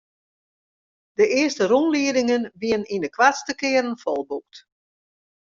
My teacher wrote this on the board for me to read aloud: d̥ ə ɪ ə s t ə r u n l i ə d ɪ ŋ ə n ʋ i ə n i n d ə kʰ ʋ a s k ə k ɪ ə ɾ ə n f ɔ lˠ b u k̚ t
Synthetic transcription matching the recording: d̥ ə ɪ ə s t ə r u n l i ə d ɪ ŋ ə n ʋ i ə n i n d ə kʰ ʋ a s t ə k ɪ ə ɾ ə n f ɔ lˠ b u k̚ t